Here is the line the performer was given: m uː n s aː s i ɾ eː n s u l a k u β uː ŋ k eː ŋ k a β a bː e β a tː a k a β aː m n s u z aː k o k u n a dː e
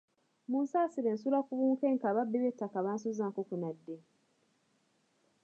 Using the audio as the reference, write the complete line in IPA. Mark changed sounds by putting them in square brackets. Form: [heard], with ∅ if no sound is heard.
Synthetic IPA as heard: m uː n s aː s i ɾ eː n s u l a k u β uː ŋ k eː ŋ k a β a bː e β [e] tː a k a β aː [∅] n s u z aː k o k u n a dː e